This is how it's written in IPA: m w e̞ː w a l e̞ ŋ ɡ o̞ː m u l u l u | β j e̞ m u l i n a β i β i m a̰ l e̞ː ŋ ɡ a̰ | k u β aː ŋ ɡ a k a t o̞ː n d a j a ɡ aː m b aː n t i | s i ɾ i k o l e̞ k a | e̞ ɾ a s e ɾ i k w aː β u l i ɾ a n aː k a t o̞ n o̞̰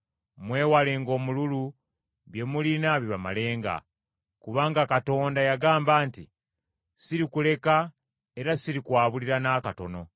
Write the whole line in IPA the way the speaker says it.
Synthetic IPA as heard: m w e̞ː w a l e̞ ŋ ɡ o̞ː m u l u l u | β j e̞ m u l i n a β i β a m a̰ l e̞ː ŋ ɡ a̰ | k u β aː ŋ ɡ a k a t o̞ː n d a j a ɡ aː m b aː n t i | s i ɾ i k u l e̞ k a | e̞ ɾ a s i ɾ i k w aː β u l i ɾ a n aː k a t o̞ n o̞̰